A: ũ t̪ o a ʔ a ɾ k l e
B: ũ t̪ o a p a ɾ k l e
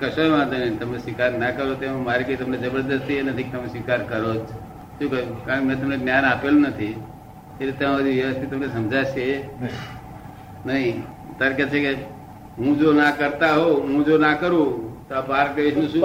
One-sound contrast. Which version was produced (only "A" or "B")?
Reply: B